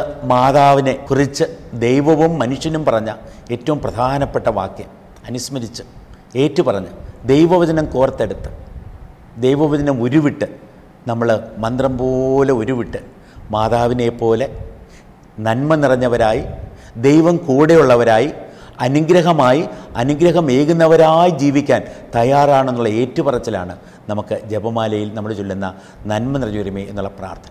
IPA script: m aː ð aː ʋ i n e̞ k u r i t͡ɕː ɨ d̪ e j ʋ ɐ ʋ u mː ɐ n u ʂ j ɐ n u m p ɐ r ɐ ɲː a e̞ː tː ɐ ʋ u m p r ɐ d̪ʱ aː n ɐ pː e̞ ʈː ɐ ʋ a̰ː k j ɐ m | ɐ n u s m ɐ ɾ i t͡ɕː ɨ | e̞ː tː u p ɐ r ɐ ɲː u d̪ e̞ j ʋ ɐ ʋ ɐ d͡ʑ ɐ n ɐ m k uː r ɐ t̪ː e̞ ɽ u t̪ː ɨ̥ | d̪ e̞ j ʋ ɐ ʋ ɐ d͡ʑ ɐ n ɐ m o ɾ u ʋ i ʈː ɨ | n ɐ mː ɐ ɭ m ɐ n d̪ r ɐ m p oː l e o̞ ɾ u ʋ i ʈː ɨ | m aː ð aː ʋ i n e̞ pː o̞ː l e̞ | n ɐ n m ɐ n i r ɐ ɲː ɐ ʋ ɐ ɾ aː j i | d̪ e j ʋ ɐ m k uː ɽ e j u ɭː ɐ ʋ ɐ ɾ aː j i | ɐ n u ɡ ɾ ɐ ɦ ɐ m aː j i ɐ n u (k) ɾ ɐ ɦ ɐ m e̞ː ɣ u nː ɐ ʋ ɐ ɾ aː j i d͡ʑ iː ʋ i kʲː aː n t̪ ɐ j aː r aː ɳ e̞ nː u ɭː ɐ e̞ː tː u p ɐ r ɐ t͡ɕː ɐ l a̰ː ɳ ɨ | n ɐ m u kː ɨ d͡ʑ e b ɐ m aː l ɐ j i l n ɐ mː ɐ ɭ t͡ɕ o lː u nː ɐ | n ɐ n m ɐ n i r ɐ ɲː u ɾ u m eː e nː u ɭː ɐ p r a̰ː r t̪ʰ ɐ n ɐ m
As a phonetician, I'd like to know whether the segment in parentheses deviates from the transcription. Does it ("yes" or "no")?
yes